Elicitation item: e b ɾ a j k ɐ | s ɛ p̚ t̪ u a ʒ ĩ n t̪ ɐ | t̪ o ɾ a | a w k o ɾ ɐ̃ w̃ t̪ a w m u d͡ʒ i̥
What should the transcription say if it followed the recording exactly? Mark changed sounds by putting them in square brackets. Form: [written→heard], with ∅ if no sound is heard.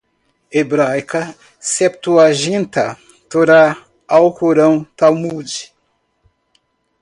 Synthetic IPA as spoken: e b ɾ a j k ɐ | s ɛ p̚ t̪ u a ʒ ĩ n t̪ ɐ | t̪ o ɾ a | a w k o ɾ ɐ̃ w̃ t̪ a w m u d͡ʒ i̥